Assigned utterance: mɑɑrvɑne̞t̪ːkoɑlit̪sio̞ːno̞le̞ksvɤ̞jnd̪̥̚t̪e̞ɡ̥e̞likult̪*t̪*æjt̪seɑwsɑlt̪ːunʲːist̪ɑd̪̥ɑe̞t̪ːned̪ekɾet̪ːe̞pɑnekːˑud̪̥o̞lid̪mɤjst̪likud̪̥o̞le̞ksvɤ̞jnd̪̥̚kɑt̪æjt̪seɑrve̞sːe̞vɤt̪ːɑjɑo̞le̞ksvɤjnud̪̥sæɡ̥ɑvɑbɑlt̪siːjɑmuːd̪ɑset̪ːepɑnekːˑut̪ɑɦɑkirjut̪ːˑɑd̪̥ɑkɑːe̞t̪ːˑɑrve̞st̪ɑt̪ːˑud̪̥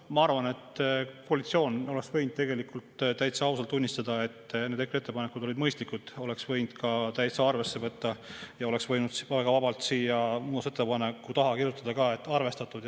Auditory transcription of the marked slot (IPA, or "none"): t̪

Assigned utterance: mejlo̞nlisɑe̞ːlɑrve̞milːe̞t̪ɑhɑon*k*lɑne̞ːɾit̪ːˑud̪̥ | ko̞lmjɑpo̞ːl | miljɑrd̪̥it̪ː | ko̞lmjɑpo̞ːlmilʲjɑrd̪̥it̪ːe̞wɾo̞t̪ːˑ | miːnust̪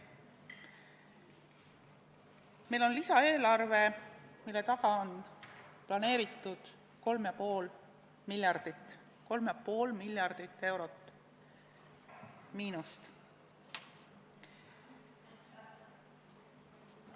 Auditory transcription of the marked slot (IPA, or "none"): p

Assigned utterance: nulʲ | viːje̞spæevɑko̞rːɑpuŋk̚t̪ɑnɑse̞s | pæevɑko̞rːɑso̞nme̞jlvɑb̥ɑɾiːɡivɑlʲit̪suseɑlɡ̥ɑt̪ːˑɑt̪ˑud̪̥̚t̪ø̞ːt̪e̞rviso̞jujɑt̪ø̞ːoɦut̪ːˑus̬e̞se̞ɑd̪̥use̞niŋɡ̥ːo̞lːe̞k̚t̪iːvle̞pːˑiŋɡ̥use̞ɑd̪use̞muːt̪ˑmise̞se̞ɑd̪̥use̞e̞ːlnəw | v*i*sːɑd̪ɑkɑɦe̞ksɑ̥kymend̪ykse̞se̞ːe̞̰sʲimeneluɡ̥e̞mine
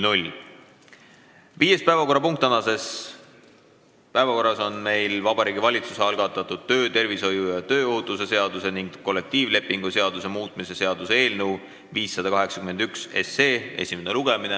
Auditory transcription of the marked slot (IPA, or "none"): iː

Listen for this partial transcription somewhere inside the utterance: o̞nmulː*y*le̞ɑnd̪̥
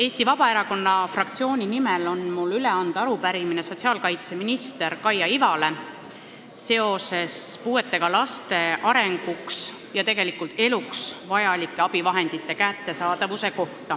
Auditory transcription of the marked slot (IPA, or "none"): y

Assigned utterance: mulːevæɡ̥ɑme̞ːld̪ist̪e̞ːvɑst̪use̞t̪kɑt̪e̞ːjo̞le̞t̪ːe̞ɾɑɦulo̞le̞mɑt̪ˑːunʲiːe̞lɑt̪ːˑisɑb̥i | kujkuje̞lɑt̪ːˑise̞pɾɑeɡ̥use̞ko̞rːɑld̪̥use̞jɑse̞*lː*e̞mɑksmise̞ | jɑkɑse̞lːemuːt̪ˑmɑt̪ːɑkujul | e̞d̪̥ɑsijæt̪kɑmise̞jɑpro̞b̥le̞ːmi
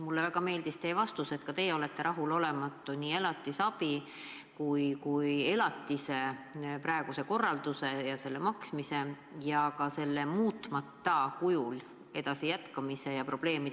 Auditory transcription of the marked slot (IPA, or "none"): lː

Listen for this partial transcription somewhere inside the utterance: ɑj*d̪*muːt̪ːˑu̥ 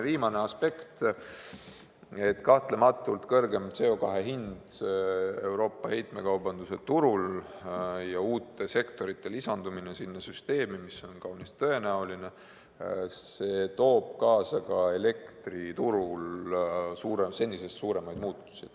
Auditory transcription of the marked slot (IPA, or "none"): d̪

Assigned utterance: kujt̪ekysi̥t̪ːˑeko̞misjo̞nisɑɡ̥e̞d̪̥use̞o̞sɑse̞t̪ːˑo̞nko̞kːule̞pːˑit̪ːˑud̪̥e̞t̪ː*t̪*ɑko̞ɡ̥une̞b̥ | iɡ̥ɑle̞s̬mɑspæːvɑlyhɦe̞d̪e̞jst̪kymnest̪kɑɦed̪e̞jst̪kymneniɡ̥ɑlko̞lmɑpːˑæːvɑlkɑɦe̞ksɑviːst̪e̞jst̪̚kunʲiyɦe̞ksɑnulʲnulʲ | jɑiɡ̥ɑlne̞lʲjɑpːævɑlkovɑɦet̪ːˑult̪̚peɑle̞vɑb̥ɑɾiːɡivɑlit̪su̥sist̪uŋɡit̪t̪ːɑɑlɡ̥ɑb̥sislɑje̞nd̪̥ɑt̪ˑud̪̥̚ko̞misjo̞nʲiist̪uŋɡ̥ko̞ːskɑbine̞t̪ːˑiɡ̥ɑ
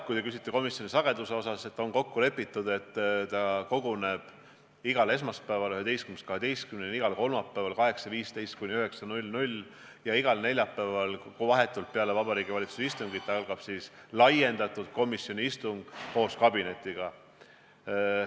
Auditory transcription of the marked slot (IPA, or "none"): t̪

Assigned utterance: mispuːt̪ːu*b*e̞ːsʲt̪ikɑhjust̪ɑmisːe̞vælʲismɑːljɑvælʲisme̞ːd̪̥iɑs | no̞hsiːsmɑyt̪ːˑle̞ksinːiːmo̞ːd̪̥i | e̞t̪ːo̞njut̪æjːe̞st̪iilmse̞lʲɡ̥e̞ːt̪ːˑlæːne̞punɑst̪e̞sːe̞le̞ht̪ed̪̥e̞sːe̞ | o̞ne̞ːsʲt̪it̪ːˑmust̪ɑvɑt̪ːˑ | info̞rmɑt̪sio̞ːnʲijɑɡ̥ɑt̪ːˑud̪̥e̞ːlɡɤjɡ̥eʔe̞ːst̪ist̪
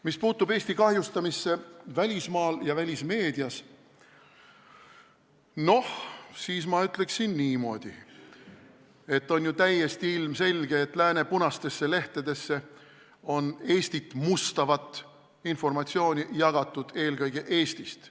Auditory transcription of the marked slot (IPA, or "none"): b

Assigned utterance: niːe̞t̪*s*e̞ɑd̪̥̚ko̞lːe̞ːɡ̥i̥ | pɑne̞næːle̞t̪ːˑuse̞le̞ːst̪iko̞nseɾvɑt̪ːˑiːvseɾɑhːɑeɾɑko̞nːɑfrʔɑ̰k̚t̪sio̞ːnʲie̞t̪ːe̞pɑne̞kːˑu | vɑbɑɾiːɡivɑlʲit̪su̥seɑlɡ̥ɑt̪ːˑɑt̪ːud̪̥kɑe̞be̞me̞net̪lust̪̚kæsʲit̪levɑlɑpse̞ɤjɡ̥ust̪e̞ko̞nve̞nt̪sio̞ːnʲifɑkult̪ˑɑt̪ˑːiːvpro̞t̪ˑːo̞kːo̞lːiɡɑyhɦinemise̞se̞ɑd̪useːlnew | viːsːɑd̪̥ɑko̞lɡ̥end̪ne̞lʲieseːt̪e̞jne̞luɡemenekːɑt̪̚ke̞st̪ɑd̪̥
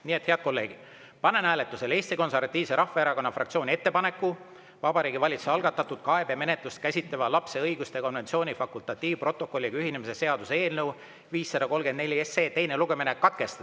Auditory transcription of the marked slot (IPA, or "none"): h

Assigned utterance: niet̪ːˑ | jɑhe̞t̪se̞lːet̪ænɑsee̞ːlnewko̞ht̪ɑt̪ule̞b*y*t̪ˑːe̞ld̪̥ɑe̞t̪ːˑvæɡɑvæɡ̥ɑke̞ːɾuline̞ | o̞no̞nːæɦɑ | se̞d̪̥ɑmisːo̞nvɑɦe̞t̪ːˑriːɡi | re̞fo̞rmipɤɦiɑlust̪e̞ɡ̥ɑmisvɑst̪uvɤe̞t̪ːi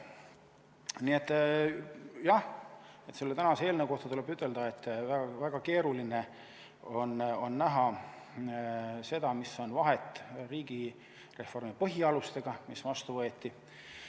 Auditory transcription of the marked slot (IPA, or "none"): y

